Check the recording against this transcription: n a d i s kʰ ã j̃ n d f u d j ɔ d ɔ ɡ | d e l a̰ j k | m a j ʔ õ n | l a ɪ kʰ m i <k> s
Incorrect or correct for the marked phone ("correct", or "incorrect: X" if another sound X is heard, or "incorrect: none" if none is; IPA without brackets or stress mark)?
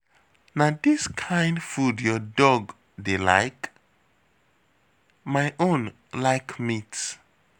incorrect: t